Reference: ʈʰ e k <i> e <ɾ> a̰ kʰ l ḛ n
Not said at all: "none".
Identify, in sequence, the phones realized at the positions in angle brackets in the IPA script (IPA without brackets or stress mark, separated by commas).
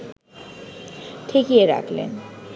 i, ɾ